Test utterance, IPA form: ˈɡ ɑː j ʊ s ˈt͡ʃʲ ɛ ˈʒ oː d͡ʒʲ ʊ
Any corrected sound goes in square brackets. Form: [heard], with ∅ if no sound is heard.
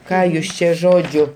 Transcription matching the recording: [ˈk] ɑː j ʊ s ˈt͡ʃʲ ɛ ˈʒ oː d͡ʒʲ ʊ